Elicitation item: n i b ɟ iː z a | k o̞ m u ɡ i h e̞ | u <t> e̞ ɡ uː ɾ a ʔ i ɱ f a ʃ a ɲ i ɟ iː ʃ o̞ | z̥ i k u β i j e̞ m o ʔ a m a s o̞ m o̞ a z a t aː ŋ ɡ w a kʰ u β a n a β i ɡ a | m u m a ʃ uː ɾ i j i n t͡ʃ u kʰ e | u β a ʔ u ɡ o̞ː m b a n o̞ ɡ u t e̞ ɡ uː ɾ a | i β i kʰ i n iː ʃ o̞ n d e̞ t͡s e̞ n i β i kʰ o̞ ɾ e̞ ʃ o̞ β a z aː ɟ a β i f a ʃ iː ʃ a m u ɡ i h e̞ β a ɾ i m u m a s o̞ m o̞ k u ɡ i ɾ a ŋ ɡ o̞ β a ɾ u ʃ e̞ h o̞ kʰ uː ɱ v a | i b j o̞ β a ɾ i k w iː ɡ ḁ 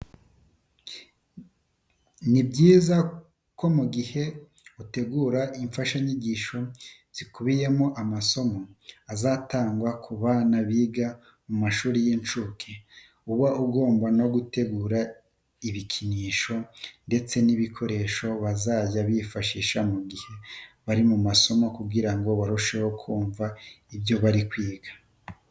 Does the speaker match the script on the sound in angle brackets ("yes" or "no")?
yes